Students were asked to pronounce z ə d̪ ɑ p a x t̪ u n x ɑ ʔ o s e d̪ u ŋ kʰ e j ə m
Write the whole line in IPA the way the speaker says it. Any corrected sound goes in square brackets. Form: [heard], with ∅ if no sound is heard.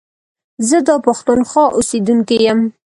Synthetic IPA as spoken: z ə d̪ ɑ p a x t̪ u n x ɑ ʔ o s e d̪ u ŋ [k] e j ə m